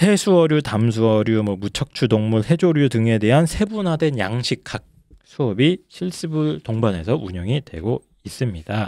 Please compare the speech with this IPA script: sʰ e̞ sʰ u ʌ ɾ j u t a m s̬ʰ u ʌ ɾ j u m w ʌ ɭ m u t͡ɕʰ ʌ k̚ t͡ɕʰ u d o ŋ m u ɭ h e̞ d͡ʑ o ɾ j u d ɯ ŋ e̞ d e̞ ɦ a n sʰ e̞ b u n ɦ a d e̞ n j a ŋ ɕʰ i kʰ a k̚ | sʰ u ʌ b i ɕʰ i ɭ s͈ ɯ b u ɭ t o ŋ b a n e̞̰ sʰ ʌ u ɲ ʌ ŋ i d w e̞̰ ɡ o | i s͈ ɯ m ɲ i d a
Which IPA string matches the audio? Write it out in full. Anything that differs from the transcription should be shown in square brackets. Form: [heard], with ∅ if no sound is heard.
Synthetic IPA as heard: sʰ e̞ sʰ u ʌ ɾ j u t a m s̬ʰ u ʌ ɾ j u m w ʌ [∅] m u t͡ɕʰ ʌ k̚ t͡ɕʰ u d o ŋ m u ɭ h e̞ d͡ʑ o ɾ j u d ɯ ŋ e̞ d e̞ ɦ a n sʰ e̞ b u n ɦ a d e̞ n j a ŋ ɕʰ i kʰ a k̚ | sʰ u ʌ b i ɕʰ i ɭ s͈ ɯ b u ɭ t o ŋ b a n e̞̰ sʰ ʌ u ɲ ʌ ŋ i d w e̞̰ ɡ o | i s͈ ɯ m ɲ i d a